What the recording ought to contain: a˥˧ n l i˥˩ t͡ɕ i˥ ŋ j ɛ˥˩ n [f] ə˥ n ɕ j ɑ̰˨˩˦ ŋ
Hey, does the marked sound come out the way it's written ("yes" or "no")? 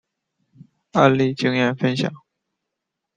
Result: yes